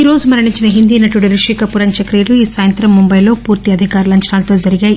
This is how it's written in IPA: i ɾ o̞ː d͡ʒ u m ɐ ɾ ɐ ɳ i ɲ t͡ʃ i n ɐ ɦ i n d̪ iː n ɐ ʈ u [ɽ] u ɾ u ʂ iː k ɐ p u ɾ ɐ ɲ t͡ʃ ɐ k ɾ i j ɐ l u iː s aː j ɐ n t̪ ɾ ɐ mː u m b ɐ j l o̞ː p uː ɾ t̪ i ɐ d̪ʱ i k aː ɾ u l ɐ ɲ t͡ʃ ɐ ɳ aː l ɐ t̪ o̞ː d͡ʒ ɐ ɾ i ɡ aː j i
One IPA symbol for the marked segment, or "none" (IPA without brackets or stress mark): ɽ